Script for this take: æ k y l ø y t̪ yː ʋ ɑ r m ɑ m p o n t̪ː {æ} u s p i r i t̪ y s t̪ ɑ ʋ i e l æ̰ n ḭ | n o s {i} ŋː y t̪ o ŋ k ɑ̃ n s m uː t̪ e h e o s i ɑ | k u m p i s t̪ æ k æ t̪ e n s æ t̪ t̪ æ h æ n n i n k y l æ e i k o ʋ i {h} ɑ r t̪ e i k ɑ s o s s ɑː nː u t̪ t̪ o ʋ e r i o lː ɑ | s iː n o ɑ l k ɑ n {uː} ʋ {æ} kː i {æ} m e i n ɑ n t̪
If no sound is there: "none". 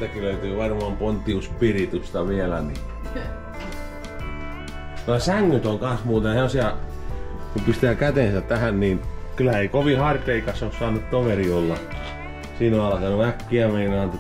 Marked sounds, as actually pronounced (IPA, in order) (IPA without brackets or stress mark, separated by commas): i, æ, h, u, æ, æ